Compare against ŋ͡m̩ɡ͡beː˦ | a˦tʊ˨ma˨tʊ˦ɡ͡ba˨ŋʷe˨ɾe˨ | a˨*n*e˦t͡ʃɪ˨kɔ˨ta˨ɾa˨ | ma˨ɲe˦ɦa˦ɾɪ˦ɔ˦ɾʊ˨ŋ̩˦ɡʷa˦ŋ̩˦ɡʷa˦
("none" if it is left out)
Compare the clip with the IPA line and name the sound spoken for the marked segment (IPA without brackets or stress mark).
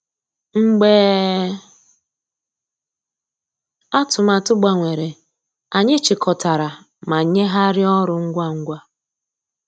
ɲ